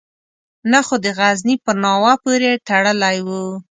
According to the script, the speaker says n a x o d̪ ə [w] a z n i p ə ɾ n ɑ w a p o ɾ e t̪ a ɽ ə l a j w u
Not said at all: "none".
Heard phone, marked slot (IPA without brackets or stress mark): ɣ